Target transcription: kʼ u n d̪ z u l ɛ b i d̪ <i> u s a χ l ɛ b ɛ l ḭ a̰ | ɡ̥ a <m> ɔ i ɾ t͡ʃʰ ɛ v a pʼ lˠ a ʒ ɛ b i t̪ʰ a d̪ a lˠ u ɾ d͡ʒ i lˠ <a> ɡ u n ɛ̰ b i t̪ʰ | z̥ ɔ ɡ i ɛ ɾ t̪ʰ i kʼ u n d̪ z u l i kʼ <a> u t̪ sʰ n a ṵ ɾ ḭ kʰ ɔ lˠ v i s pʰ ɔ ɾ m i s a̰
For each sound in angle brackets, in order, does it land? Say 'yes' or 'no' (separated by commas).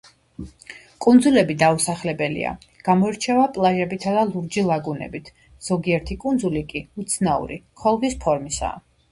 no, yes, yes, no